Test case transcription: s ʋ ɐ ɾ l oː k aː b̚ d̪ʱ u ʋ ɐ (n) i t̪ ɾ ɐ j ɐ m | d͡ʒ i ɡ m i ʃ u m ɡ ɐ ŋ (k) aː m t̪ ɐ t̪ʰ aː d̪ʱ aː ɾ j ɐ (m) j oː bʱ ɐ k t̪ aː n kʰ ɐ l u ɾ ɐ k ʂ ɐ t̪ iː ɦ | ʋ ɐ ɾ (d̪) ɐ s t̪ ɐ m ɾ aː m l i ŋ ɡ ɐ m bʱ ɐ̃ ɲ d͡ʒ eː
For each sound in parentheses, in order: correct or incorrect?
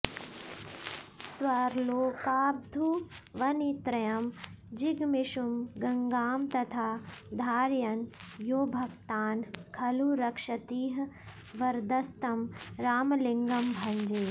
correct, incorrect: ɡ, incorrect: n, correct

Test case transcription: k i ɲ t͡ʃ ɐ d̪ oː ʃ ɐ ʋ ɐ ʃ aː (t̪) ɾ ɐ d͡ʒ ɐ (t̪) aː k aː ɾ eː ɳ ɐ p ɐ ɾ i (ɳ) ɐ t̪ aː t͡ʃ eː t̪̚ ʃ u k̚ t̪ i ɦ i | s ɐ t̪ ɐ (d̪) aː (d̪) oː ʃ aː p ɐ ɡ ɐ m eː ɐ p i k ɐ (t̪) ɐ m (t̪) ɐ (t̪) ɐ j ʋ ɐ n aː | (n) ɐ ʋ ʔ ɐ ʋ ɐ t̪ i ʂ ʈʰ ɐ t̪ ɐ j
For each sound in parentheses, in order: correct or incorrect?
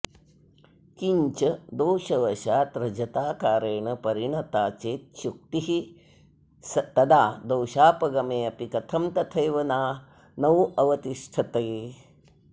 correct, correct, correct, correct, correct, incorrect: t̪ʰ, correct, incorrect: t̪ʰ, correct

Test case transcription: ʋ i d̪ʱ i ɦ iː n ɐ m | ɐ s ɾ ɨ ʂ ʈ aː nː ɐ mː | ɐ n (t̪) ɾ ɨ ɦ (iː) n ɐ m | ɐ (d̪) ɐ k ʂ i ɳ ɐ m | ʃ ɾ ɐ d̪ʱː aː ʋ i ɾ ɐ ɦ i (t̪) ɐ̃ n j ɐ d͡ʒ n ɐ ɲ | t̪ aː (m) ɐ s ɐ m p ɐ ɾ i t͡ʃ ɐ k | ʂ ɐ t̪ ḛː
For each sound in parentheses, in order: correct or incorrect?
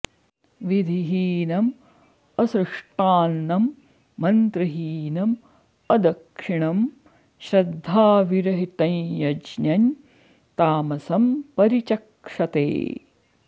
correct, correct, correct, correct, correct

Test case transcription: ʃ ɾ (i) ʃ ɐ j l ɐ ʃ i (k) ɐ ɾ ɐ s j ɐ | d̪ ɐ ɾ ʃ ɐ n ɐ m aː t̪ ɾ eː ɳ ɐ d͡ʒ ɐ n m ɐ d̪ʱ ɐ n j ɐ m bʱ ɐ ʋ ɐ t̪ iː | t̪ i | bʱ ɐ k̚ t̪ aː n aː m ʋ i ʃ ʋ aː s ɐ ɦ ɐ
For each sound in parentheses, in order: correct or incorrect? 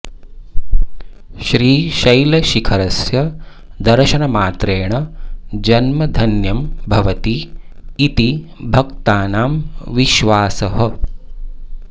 incorrect: iː, incorrect: kʰ

